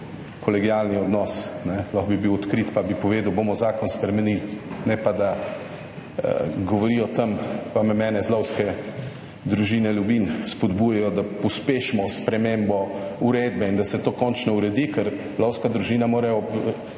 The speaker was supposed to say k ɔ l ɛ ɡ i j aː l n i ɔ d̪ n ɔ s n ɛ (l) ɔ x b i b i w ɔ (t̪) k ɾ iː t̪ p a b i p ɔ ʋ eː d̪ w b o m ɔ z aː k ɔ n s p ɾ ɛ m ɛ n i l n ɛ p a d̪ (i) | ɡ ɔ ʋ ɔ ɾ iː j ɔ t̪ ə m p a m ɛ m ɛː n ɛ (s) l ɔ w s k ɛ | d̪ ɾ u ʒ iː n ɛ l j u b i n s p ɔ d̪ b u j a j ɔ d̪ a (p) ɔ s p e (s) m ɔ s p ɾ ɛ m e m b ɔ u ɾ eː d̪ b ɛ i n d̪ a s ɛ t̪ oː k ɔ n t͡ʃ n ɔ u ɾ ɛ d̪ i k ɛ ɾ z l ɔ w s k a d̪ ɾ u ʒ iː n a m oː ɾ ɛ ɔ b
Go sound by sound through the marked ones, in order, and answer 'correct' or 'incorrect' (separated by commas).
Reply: correct, correct, incorrect, incorrect, correct, incorrect